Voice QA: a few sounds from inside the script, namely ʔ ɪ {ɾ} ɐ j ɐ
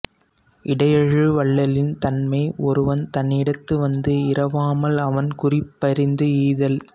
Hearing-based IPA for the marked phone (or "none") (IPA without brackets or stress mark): ɽ